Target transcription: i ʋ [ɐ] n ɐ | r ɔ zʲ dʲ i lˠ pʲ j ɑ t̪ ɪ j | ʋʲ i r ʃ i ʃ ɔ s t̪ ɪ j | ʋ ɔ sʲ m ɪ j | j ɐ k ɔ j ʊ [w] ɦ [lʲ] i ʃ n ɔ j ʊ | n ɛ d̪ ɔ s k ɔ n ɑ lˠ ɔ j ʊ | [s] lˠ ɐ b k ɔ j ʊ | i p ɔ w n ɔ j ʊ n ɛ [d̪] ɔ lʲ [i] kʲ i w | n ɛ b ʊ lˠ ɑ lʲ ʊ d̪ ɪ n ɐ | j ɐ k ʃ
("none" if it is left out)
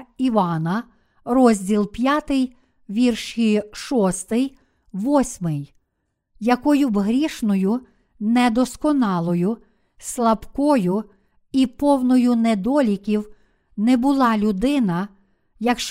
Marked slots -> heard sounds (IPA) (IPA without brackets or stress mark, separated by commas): ɑ, b, ɾʲ, s, d̪, i